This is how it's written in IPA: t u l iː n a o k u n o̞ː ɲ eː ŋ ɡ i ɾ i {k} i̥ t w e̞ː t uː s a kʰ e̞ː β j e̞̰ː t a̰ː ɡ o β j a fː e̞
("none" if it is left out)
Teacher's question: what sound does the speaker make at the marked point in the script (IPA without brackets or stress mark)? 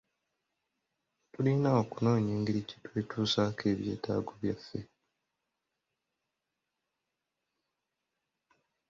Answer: c